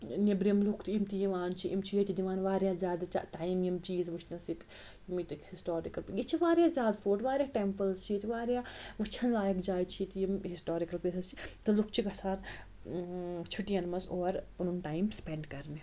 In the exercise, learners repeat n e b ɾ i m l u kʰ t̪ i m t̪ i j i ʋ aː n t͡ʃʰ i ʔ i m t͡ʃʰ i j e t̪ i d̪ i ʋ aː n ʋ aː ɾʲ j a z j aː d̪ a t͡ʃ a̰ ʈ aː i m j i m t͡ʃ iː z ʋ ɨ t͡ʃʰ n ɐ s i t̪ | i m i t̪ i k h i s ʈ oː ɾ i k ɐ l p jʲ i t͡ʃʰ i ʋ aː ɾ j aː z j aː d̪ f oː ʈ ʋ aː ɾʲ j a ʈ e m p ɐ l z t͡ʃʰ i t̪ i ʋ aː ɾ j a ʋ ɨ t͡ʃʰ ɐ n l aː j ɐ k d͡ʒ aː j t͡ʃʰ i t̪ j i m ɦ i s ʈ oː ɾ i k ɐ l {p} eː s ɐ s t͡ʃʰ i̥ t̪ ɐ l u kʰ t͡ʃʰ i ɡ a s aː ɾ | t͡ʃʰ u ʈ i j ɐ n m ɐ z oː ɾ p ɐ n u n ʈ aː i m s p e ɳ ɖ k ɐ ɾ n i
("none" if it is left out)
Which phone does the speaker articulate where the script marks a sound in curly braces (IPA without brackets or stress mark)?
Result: p